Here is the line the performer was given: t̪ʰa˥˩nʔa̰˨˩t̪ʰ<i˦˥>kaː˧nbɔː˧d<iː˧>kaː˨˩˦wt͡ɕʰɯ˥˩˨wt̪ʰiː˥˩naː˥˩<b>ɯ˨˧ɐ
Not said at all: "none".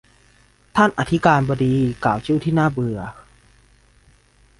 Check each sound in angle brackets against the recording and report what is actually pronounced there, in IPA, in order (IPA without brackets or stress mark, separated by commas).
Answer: i˦˥, iː˧, b